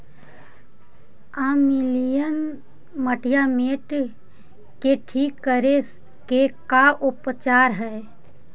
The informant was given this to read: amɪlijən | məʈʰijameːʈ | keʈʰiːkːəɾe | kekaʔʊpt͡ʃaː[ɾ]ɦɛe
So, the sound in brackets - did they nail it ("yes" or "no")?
yes